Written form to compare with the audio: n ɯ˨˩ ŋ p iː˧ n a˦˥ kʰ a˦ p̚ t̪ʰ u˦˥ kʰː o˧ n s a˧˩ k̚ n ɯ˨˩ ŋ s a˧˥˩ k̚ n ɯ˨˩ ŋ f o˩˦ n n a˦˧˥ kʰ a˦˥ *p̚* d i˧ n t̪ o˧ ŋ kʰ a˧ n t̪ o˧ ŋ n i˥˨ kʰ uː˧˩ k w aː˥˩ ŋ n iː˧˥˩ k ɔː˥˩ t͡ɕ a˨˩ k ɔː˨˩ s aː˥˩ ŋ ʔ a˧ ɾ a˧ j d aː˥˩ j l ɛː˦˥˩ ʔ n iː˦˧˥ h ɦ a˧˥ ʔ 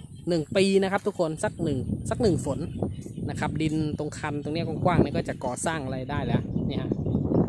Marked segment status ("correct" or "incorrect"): correct